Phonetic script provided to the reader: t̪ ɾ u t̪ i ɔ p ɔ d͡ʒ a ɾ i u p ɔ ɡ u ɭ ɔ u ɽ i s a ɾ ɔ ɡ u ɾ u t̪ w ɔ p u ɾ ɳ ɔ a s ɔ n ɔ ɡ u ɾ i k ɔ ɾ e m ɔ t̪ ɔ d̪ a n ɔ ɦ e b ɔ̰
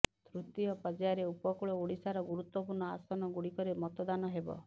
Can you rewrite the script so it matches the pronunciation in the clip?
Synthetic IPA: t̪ ɾ u t̪ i ɔ p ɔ d͡ʒ a ɾ e u p ɔ k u ɭ ɔ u ɽ i s a ɾ ɔ ɡ u ɾ u t̪ w ɔ p u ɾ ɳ ɔ a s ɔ n ɔ ɡ u ɽ i k ɔ ɾ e m ɔ t̪ ɔ d̪ a n ɔ ɦ e b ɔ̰